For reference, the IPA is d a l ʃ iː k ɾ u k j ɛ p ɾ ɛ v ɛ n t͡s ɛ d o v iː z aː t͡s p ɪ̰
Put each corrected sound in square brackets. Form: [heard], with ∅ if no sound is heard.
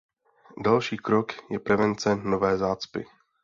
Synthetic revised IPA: d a l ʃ iː k ɾ [o] k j ɛ p ɾ ɛ v ɛ n t͡s ɛ [n] o v [ɛː] z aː t͡s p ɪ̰